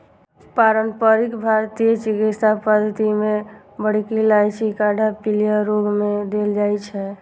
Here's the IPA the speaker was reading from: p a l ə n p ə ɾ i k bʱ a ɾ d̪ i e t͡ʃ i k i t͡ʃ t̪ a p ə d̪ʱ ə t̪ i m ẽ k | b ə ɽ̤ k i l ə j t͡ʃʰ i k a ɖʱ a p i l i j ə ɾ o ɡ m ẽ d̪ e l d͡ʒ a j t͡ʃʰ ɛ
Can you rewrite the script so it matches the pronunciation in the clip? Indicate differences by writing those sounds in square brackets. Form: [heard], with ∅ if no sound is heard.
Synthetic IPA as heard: p a [ɾ] ə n p ə ɾ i k bʱ a ɾ [t̪] i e t͡ʃ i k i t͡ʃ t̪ a p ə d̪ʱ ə t̪ i m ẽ [∅] | b ə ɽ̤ k i l [a] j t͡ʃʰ i k a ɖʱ a p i l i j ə ɾ o ɡ m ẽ d̪ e l d͡ʒ a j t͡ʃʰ ɛ